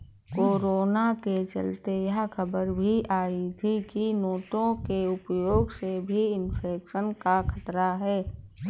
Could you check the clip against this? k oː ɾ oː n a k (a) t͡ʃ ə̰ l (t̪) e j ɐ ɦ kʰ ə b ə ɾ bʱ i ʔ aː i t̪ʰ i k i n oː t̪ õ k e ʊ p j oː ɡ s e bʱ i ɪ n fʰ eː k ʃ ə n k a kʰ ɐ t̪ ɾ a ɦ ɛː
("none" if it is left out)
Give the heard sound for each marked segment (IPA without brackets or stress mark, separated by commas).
e, t̪